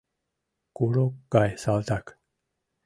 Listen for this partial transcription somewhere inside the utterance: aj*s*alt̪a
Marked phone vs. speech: correct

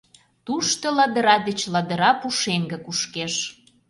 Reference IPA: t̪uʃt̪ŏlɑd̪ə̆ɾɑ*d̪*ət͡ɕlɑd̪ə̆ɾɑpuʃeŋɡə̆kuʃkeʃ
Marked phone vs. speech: correct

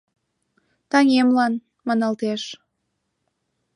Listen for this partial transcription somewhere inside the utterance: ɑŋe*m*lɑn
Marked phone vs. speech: correct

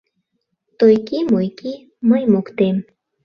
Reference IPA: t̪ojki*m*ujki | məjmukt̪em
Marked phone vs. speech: correct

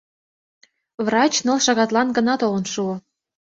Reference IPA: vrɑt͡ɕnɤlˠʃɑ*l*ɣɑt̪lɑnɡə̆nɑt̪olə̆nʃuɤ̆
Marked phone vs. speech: incorrect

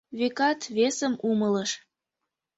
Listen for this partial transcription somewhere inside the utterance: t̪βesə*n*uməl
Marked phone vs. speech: incorrect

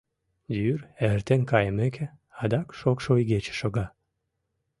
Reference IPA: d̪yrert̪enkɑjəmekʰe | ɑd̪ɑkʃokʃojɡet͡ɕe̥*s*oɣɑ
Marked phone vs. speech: incorrect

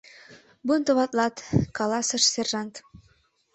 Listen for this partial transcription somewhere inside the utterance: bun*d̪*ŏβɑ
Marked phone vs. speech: incorrect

